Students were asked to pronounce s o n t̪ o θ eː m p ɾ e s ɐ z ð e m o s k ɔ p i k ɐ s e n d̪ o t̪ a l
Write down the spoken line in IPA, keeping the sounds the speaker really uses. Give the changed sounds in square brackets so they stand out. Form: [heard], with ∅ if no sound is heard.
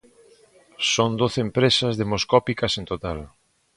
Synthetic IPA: s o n [d̪] o θ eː m p ɾ e s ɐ z ð e m o s k ɔ p i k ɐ s e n [t̪] o t̪ a l